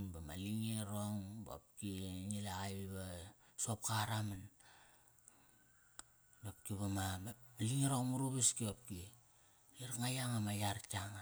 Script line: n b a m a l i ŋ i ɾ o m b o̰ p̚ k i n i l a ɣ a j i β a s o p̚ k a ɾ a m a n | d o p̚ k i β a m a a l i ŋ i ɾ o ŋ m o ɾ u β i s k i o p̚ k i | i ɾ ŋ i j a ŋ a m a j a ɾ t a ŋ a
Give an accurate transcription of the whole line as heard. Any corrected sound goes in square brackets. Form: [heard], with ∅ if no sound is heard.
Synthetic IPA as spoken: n b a m a l i ŋ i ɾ o [ŋ] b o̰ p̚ k i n i l a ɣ a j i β a s o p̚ k a ɾ a m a n | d o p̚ k i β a m a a l i ŋ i ɾ o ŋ m [u] ɾ u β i s k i o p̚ k i | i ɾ ŋ [a] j a ŋ a m a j a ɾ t a ŋ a